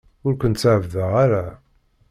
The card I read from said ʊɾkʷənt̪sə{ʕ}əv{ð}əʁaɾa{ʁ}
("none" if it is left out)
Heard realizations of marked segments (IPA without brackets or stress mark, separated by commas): ʕ, ð, none